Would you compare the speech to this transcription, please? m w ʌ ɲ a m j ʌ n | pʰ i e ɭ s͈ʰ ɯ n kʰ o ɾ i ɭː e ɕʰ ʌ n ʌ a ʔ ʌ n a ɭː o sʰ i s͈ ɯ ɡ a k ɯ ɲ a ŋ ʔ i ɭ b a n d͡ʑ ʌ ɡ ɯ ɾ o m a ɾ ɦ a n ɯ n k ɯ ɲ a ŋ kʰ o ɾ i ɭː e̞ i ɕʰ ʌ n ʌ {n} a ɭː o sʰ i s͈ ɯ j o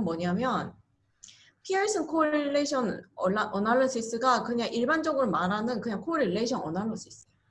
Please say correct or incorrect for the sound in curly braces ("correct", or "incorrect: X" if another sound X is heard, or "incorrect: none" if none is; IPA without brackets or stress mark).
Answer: correct